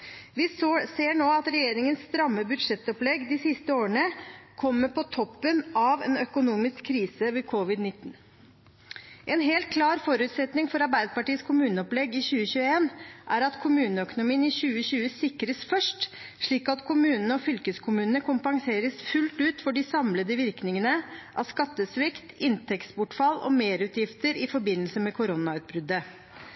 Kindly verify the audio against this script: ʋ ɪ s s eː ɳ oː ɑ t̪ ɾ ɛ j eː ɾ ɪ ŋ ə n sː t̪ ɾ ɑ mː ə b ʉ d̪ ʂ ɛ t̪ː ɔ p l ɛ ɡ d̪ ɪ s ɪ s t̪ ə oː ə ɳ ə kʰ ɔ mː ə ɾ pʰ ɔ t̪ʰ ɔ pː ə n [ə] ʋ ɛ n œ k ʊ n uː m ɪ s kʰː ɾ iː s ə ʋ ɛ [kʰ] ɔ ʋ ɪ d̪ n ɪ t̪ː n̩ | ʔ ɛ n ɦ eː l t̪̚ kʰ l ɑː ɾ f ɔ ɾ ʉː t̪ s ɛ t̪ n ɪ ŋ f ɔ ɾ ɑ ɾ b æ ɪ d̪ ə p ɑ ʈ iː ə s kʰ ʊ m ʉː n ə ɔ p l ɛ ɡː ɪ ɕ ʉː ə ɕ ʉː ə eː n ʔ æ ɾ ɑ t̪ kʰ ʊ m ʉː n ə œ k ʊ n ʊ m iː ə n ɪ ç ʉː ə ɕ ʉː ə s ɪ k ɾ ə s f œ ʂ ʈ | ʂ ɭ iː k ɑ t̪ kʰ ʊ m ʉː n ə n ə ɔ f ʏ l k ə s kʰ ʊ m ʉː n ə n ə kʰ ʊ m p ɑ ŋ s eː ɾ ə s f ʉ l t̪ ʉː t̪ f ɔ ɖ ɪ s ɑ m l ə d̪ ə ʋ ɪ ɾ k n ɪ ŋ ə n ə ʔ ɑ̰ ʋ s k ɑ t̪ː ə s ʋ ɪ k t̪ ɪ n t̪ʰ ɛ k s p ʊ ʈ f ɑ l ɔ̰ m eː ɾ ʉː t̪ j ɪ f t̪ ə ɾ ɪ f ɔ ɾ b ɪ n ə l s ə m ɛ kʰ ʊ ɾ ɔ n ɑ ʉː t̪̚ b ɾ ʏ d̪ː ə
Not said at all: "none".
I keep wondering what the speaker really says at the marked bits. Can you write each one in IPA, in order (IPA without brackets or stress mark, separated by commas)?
ɑ, kʰ